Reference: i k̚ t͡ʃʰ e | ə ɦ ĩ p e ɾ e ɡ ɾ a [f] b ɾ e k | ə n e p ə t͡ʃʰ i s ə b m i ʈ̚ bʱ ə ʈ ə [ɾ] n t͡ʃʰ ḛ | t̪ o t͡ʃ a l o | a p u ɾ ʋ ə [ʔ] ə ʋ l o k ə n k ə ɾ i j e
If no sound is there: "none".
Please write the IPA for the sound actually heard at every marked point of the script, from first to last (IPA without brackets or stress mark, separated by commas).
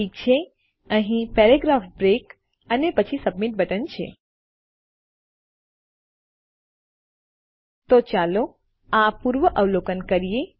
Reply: f, none, ʔ